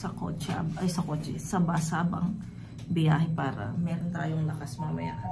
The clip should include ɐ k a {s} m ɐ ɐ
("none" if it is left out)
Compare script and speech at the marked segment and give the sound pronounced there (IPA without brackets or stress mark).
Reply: s